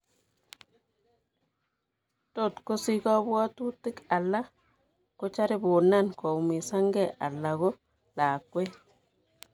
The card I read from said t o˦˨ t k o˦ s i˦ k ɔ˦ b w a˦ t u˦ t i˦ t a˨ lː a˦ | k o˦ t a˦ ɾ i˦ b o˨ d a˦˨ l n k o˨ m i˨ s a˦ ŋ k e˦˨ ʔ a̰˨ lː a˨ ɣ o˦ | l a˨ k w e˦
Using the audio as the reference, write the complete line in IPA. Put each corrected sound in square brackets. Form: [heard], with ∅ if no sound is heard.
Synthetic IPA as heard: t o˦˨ t k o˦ s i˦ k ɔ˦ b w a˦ t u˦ t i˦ [k] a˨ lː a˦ | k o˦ [t͡ʃ] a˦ ɾ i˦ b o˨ [n] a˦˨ [∅] n k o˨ m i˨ s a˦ ŋ [ɡ] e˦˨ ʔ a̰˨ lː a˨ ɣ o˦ | l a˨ k w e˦

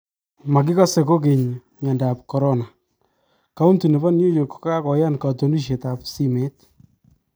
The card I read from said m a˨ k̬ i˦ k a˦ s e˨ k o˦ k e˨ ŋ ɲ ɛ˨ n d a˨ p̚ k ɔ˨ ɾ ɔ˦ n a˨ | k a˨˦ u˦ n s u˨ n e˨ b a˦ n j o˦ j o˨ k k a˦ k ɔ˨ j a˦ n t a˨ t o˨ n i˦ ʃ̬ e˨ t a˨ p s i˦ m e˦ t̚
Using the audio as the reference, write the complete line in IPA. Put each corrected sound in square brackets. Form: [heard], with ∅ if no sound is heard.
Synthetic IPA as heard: m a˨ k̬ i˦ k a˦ s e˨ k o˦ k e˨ [ɲ] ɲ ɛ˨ n d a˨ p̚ k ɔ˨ ɾ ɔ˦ n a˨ | k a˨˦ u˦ n [t] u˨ n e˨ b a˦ n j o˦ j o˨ k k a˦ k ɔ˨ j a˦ n [k] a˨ t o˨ n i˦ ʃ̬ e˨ t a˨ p s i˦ m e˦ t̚

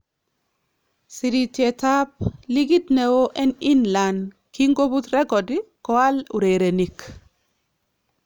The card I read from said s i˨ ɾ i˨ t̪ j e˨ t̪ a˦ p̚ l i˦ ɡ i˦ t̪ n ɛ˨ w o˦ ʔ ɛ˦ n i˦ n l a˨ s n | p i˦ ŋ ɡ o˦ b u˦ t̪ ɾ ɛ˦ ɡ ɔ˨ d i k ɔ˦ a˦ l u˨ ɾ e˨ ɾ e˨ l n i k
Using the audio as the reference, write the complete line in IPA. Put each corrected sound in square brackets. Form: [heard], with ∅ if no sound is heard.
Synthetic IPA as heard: s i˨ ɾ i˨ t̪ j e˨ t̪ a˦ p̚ l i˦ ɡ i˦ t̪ n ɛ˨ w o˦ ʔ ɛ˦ n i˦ n l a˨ [∅] n | [k] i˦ ŋ ɡ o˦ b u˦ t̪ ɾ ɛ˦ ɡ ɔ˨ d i k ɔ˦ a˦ l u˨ ɾ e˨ ɾ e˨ [∅] n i k

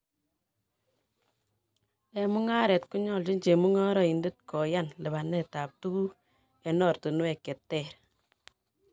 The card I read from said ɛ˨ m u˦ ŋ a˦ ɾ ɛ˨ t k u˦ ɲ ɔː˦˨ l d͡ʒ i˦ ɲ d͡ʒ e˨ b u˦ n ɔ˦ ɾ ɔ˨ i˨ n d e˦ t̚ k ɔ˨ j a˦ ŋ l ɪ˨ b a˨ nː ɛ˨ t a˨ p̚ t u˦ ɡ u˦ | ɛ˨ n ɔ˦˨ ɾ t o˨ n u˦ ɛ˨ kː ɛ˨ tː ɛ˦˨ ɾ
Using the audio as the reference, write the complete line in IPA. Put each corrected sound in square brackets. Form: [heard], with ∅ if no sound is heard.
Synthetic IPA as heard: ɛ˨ m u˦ ŋ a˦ ɾ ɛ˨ t k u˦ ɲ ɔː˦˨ l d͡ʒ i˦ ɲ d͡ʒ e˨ [m] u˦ [ŋ] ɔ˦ ɾ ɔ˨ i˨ n d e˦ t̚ k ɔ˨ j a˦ [n] l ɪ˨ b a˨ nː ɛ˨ t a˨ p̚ t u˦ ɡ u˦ | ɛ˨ n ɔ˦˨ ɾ t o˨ n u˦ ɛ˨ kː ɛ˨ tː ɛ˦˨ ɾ

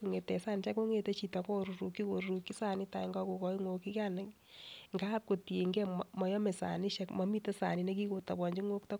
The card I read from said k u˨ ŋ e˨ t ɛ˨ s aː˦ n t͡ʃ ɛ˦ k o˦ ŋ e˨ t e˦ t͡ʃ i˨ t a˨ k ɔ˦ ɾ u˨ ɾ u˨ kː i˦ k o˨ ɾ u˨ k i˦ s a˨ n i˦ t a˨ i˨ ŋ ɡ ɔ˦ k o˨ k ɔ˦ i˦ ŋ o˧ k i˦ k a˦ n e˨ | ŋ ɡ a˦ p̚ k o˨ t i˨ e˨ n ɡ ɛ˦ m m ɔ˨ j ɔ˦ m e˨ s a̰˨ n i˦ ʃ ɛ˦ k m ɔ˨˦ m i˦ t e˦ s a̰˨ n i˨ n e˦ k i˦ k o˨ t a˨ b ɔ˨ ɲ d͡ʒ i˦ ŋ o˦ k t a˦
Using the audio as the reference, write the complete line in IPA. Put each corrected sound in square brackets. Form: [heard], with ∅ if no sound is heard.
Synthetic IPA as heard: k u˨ ŋ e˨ t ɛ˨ s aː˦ n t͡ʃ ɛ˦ k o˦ ŋ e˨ t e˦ t͡ʃ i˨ t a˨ k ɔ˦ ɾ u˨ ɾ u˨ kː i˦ k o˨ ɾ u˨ k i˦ s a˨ n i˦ t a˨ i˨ ŋ ɡ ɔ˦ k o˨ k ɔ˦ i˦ ŋ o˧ k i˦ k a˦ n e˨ | ŋ ɡ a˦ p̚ k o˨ t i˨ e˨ [ŋ] ɡ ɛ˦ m m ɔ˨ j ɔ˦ m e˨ s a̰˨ n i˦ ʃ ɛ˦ k m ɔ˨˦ m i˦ t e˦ s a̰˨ n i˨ n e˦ k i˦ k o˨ t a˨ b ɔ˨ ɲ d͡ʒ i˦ ŋ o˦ k t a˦

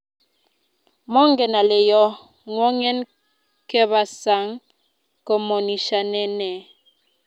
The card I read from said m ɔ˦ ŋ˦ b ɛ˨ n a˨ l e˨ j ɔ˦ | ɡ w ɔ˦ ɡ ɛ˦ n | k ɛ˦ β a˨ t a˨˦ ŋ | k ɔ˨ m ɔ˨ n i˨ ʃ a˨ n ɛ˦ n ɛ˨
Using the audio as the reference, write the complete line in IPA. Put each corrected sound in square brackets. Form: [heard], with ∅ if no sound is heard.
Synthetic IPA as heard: m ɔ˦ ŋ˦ [ɡ] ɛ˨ n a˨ l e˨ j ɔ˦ | [ŋ] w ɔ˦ [ŋ] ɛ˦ n | k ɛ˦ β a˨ [s] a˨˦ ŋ | k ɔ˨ m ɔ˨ n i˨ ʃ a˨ n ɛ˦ n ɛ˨

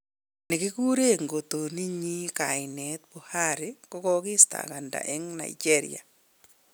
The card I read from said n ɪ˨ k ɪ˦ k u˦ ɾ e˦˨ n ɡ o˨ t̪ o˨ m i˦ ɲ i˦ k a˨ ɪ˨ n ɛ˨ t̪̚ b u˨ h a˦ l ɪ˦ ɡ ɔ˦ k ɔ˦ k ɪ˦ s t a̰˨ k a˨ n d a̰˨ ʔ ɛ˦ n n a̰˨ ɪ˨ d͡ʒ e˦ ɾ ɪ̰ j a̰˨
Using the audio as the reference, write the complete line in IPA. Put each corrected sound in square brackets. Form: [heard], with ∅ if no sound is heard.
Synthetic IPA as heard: n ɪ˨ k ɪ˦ k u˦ ɾ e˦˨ [ŋ] ɡ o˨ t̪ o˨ [n] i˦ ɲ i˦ k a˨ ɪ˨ n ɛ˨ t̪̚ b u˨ h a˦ [ɾ] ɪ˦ [k] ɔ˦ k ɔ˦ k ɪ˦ s t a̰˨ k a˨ n d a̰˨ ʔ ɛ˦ [ŋ] n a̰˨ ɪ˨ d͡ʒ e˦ ɾ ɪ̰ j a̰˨

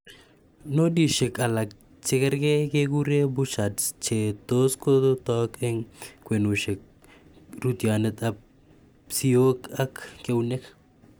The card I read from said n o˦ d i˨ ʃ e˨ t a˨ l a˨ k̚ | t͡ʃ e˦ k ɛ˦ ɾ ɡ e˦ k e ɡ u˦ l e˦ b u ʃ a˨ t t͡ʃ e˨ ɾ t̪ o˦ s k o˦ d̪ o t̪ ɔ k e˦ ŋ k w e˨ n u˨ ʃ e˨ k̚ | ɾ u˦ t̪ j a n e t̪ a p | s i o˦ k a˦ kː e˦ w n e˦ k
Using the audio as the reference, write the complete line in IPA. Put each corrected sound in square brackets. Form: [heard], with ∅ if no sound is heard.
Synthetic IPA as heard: n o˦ d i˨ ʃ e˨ [k] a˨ l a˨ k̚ | t͡ʃ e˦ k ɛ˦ ɾ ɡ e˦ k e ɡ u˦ [ɾ] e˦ b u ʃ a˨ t t͡ʃ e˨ [∅] t̪ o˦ s k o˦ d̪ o t̪ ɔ k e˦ ŋ k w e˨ n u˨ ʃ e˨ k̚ | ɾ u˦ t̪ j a n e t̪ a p | s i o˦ k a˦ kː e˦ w n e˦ k

